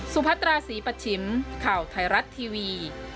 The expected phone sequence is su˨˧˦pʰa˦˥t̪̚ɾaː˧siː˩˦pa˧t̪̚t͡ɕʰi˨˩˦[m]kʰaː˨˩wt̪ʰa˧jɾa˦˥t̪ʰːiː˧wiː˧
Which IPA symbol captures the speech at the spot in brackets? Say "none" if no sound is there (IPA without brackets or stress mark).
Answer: m